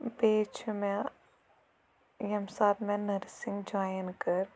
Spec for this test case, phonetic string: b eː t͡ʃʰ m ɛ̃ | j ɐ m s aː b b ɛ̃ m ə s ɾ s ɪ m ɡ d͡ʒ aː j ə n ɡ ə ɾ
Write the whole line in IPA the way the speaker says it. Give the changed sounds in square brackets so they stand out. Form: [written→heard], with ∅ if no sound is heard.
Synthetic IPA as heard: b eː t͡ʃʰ m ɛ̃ | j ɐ m s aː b [b→m] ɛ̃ [m→n] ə [s→∅] ɾ s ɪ [m→ŋ] ɡ d͡ʒ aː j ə n [ɡ→k] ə ɾ